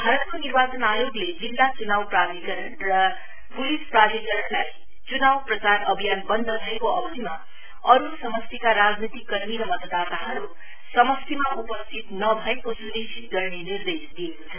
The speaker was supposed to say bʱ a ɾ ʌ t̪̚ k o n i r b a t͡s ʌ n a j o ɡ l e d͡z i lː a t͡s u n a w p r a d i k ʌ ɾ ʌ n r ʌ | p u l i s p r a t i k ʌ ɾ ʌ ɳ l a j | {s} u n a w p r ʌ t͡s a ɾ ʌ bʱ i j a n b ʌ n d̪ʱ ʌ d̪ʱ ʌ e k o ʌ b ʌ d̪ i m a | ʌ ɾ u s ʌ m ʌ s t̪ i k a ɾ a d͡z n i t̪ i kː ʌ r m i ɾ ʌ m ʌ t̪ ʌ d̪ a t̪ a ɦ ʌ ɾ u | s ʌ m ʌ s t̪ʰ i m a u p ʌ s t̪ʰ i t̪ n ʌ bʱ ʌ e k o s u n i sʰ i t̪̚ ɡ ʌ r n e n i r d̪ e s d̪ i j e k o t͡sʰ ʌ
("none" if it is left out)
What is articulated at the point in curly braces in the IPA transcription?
t͡s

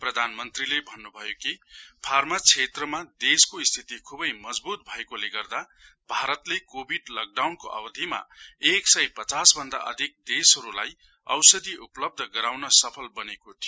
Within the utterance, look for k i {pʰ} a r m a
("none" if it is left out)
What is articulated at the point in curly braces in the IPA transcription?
pʰ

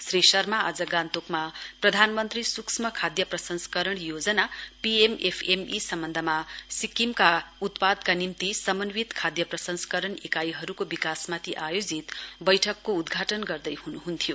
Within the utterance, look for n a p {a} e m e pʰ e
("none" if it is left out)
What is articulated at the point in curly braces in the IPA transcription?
i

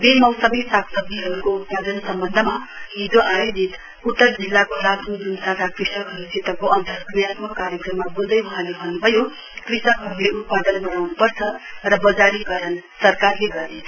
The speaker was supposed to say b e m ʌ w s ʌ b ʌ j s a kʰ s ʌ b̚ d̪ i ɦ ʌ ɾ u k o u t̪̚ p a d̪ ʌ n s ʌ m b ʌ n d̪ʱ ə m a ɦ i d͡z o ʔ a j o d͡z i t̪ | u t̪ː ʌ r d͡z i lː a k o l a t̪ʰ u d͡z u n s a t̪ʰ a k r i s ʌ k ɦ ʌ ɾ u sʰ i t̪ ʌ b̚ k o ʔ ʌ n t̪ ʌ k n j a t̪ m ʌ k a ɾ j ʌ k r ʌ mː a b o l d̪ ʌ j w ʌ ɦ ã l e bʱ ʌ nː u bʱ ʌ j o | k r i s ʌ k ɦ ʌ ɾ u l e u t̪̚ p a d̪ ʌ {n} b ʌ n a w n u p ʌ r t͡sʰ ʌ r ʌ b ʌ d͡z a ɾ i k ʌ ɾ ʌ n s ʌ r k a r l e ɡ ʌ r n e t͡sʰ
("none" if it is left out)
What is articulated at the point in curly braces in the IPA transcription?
n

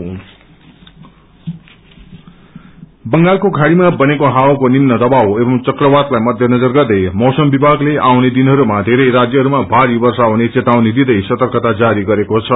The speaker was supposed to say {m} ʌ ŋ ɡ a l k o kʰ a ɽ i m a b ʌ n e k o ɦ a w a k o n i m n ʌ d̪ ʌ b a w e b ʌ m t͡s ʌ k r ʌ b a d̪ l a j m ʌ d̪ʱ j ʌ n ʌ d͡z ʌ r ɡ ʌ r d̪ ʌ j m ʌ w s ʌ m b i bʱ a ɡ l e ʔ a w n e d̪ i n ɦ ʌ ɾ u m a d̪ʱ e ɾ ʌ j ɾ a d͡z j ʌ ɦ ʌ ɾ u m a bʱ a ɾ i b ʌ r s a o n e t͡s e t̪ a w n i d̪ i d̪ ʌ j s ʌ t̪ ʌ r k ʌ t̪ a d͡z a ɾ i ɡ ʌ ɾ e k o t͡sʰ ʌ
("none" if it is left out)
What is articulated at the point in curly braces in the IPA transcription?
b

